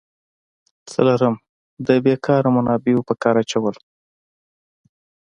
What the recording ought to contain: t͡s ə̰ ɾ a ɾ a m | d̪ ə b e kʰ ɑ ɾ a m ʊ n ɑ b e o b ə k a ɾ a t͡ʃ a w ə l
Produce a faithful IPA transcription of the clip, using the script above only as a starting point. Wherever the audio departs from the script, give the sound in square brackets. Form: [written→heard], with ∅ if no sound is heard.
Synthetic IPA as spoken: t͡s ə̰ [ɾ→l] a ɾ [a→ə] m | d̪ ə b e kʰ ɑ ɾ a m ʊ n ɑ b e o [b→p] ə k [a→ɑ] ɾ a t͡ʃ a w ə l